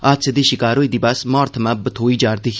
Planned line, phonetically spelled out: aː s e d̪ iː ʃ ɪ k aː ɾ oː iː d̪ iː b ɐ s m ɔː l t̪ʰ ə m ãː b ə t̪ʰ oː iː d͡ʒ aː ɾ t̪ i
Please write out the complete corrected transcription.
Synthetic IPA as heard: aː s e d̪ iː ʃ ɪ k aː ɾ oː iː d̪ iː b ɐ s m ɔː ɾ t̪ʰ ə m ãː b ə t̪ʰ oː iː d͡ʒ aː ɾ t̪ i